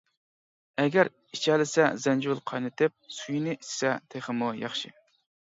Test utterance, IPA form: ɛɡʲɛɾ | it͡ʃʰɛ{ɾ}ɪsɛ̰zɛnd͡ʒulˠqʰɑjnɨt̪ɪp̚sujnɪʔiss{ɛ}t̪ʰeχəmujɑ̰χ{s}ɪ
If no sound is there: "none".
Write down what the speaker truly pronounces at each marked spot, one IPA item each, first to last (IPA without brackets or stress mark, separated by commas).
l, ɛ, ʃ